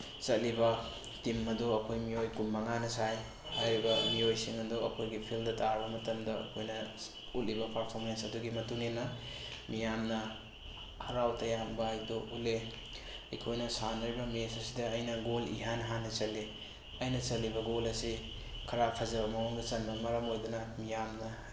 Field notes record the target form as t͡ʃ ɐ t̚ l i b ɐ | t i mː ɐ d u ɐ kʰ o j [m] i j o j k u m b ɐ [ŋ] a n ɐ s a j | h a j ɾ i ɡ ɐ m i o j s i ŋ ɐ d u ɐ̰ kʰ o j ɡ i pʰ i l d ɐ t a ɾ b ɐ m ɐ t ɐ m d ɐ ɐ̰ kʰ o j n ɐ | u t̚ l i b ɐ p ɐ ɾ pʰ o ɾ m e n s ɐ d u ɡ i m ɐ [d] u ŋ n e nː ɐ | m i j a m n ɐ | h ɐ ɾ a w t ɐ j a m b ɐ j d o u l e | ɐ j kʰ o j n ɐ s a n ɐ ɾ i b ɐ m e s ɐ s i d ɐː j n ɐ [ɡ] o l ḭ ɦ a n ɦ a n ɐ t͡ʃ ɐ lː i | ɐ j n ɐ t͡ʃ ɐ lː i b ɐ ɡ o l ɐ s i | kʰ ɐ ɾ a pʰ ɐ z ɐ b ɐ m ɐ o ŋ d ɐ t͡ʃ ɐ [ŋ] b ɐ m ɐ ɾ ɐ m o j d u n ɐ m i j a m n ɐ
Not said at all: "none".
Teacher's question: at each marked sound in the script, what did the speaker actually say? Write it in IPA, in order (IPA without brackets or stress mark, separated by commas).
m, ŋ, t, ɡ, n